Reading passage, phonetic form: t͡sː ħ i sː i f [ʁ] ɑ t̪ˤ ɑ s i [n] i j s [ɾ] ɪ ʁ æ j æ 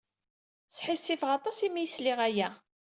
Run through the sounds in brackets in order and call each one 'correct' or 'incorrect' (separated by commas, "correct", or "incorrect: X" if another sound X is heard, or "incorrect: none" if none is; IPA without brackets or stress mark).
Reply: correct, incorrect: m, incorrect: l